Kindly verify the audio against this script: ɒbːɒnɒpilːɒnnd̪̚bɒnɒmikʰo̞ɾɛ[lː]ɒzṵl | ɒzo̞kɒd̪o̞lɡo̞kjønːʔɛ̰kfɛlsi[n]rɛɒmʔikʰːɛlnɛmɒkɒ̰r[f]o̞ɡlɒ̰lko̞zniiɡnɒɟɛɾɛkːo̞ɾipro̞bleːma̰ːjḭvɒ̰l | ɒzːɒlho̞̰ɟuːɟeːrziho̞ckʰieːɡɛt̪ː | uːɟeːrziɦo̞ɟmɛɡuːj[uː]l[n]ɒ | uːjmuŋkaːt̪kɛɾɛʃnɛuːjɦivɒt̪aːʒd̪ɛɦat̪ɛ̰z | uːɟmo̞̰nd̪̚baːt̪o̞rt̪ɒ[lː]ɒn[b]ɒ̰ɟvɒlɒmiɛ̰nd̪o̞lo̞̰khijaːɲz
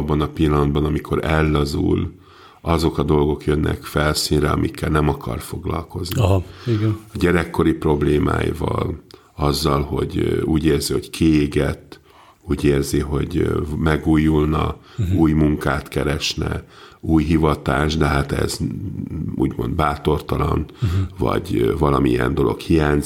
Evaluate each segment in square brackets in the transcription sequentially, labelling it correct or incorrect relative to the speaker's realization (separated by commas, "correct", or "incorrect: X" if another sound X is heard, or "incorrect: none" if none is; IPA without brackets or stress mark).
correct, correct, correct, incorrect: u, correct, incorrect: l, incorrect: v